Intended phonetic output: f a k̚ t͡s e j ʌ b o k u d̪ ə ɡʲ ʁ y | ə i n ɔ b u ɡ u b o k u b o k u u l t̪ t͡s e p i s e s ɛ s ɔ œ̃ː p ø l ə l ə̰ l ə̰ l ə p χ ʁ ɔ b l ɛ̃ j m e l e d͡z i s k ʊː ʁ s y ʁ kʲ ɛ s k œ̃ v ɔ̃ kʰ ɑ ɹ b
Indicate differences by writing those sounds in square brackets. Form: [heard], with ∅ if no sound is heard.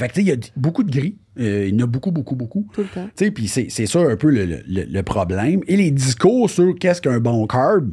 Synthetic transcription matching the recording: f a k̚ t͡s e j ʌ b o k u d̪ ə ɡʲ ʁ [i] | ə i n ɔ b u [k] u b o k u b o k u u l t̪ t͡s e p i s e s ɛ s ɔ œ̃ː p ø l ə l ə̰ l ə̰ l ə p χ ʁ ɔ b l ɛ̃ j m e l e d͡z i s k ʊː ʁ s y ʁ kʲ ɛ s k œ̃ [b] ɔ̃ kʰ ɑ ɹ b